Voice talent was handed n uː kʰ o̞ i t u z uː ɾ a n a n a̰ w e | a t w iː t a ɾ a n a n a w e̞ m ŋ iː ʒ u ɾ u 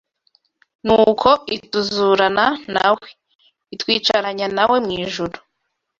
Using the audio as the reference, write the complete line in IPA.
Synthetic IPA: n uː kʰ o̞ i t u z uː ɾ a n a n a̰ w e | i t w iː t͡ʃ a ɾ a ɲ a n a w e̞ m ŋ iː ʒ u ɾ u